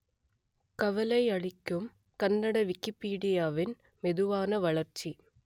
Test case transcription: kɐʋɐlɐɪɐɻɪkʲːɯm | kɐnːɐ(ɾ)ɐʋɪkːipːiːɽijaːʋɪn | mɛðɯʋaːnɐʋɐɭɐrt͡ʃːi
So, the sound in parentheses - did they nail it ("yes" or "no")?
no